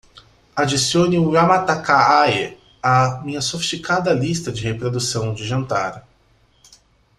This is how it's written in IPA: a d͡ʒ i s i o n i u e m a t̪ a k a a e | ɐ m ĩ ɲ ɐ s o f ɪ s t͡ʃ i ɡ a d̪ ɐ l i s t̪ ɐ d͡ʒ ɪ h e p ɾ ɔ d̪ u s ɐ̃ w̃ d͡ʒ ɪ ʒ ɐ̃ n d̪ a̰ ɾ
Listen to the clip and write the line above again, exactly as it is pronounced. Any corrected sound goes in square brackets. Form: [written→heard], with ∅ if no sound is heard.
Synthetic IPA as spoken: a d͡ʒ i s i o n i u [e→a] m a t̪ a k a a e | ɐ m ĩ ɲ ɐ s o f [ɪ→i] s t͡ʃ i [ɡ→k] a d̪ ɐ l i s t̪ ɐ d͡ʒ ɪ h e p ɾ [ɔ→o] d̪ u s ɐ̃ w̃ d͡ʒ ɪ ʒ ɐ̃ n [d̪→t̪] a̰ ɾ